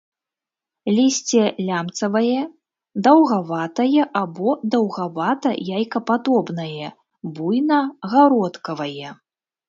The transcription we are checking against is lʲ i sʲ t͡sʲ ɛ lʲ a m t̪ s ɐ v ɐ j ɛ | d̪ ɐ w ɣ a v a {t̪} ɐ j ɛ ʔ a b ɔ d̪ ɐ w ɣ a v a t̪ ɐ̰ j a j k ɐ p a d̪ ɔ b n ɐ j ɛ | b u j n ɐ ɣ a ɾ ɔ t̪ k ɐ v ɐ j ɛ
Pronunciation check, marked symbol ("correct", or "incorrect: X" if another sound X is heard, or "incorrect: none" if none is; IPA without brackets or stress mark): correct